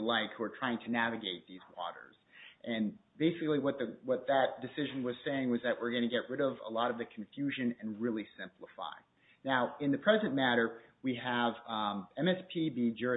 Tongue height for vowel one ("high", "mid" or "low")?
low